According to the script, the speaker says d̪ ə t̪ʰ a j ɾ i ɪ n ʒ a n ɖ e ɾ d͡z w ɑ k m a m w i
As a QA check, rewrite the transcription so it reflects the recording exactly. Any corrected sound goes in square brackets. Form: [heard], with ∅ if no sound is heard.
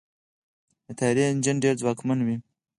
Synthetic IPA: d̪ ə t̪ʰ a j ɾ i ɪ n [d͡ʒ] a n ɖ e ɾ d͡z w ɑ k m a [n] w i